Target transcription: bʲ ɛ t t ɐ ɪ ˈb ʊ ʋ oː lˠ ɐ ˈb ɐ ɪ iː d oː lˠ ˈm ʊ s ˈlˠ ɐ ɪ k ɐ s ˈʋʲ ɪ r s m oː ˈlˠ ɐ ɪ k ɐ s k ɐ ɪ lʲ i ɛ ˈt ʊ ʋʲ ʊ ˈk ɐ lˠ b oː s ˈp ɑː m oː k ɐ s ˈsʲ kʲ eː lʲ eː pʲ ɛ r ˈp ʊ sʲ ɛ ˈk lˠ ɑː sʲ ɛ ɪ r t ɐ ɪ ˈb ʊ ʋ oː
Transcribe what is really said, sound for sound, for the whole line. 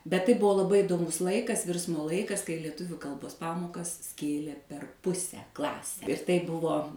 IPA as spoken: bʲ ɛ t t ɐ ɪ ˈb ʊ ʋ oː lˠ ɐ ˈb ɐ ɪ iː d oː ˈm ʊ s ˈlˠ ɐ ɪ k ɐ s ˈʋʲ ɪ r s m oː ˈlˠ ɐ ɪ k ɐ s k ɐ ɪ lʲ i ɛ ˈt ʊ ʋʲ ʊ ˈk ɐ lˠ b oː s ˈp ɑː m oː k ɐ s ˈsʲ kʲ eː lʲ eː pʲ ɛ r ˈp ʊ sʲ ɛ ˈk lˠ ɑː sʲ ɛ ɪ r t ɐ ɪ ˈb ʊ ʋ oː